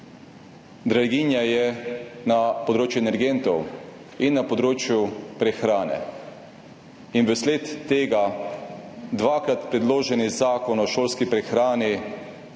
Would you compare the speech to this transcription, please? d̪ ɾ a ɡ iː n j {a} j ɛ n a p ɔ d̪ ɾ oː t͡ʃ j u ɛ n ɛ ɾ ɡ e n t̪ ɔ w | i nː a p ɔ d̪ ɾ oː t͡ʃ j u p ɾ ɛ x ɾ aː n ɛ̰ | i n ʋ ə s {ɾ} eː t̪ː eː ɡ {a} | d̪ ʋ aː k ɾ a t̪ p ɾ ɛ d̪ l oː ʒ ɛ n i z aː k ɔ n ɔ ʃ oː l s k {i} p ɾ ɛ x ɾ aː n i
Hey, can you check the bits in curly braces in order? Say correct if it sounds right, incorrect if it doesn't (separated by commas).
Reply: correct, incorrect, correct, correct